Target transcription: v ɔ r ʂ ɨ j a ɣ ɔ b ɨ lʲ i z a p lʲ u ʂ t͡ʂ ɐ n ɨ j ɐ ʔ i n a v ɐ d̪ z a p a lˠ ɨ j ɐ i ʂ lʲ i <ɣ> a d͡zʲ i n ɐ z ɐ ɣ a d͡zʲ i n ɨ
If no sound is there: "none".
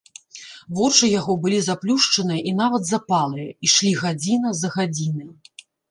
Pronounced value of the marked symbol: ɣ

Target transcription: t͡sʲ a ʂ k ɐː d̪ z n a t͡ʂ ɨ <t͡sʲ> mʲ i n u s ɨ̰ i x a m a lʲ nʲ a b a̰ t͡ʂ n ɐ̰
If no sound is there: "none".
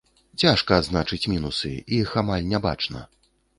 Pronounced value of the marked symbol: t͡sʲ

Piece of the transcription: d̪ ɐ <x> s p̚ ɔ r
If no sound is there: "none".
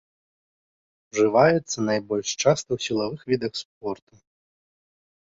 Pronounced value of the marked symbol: x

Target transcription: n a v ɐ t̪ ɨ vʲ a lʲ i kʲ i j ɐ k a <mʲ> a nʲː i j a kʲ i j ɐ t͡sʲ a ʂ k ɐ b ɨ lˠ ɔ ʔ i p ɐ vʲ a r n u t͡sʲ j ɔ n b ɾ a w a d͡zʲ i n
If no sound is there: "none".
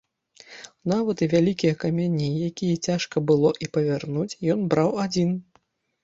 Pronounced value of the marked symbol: mʲ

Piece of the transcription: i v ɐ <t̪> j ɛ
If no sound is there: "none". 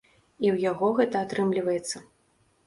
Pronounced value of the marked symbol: none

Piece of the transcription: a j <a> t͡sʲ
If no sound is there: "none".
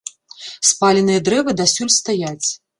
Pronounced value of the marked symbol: a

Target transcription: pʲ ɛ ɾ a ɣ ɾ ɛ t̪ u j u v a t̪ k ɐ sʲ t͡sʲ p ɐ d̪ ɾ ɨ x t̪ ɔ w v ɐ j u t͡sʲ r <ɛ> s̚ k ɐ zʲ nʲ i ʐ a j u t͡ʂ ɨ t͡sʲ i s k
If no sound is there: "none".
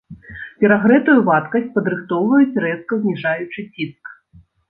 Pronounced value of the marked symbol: ɛ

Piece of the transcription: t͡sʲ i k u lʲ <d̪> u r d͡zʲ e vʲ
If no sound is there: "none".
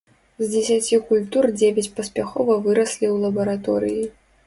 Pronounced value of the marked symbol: t̪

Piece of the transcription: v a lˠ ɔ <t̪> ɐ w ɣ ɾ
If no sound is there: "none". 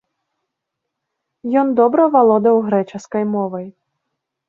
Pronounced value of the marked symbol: d̪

